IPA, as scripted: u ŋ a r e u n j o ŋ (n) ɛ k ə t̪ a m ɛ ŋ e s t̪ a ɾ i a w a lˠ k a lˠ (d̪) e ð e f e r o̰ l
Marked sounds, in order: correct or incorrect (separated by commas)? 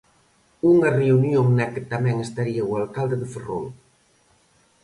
correct, correct